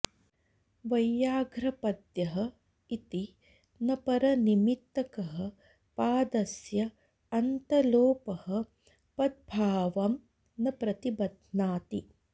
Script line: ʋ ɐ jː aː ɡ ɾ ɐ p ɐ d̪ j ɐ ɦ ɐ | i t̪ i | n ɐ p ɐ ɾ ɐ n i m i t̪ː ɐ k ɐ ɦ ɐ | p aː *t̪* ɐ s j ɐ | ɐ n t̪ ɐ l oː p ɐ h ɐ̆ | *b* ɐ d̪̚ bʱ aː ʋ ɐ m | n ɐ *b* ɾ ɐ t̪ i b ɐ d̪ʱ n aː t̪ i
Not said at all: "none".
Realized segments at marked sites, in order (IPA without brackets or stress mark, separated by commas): d̪, p, p